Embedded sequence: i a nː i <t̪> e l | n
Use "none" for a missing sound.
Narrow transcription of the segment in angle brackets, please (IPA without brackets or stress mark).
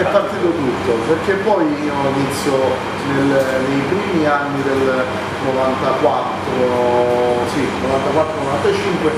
d̪